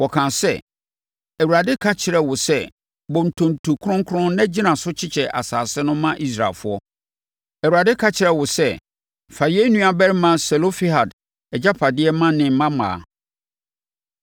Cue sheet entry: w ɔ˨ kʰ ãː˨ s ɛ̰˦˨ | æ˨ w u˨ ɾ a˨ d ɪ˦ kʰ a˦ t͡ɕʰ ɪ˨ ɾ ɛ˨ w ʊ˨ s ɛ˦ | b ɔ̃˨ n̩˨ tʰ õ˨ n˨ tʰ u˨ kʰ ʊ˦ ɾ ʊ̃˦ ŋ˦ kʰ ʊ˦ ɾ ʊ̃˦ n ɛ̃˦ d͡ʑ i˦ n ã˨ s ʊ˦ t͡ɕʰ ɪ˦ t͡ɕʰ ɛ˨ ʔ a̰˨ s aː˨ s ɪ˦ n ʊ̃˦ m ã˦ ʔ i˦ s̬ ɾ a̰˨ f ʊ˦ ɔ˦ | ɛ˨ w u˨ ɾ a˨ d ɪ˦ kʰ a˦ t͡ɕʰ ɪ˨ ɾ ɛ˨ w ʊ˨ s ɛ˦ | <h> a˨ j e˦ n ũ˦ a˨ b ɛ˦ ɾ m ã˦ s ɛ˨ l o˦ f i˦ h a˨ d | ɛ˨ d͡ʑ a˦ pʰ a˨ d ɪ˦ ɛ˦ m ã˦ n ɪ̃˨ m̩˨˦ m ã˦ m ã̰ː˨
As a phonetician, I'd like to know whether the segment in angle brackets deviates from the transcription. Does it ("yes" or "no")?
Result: yes